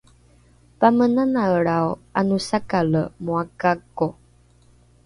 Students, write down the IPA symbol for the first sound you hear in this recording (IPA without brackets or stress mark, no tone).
p